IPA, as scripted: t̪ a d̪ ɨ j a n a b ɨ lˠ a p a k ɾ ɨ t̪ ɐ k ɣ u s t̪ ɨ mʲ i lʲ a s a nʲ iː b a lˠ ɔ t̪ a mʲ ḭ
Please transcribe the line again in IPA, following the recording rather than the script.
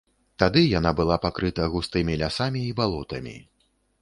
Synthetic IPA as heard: t̪ a d̪ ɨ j a n a b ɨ lˠ a p a k ɾ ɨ t̪ ɐ ɣ u s t̪ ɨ mʲ i lʲ a s a mʲ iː b a lˠ ɔ t̪ ɐ mʲ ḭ